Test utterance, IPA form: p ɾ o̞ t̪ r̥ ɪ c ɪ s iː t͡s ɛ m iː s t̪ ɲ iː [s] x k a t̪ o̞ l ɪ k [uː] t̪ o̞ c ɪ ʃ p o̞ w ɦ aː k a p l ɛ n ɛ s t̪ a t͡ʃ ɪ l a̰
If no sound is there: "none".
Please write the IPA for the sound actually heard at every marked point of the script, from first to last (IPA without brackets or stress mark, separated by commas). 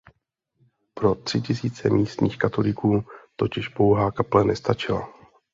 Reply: none, uː